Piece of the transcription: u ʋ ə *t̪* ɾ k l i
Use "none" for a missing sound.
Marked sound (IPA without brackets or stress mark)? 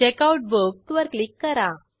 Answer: none